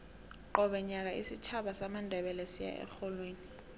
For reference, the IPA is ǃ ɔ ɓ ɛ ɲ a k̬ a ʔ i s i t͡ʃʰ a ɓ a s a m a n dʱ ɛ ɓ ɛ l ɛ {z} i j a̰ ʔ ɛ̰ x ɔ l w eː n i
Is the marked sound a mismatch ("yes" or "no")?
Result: yes